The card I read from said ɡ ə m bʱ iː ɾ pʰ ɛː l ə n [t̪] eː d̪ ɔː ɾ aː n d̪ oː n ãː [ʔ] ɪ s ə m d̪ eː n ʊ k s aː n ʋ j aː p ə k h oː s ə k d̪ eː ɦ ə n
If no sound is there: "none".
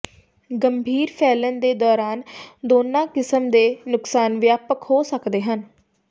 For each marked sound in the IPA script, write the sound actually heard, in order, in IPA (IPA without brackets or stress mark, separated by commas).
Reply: d̪, k